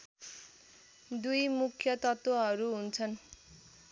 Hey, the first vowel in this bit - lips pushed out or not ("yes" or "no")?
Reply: yes